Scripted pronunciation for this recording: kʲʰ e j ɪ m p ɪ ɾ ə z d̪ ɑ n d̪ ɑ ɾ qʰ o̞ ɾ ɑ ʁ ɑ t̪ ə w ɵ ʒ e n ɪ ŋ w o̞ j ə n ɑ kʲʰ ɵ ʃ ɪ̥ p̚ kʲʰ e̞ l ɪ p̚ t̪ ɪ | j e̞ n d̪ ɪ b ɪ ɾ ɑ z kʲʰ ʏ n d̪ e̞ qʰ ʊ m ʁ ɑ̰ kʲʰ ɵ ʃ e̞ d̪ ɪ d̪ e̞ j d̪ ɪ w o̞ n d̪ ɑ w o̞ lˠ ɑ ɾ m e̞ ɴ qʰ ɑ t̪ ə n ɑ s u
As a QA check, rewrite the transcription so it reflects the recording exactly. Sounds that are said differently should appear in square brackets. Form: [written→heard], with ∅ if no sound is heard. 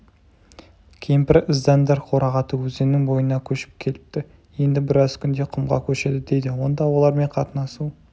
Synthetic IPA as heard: kʲʰ e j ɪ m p ɪ ɾ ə z d̪ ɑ n d̪ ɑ ɾ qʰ o̞ ɾ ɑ ʁ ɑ t̪ ə w ɵ [ʒ→z] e n ɪ ŋ [w→b] o̞ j ə n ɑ kʲʰ ɵ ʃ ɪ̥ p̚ kʲʰ e̞ l ɪ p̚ t̪ ɪ | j e̞ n d̪ ɪ b ɪ ɾ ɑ z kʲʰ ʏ n d̪ e̞ qʰ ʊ m ʁ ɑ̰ kʲʰ ɵ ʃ e̞ d̪ ɪ d̪ e̞ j d̪ ɪ w o̞ n d̪ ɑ w o̞ lˠ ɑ ɾ m e̞ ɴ qʰ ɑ t̪ ə n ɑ s u